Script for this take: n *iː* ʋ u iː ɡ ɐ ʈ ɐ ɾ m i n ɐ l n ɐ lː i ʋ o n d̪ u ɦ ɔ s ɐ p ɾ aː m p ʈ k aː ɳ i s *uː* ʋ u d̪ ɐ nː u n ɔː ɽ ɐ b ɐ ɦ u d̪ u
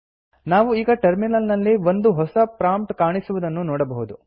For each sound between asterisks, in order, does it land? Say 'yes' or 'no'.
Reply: no, no

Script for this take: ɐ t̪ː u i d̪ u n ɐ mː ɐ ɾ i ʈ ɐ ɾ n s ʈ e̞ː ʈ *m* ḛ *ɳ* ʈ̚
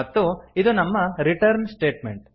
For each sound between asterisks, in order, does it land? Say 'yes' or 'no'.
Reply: yes, yes

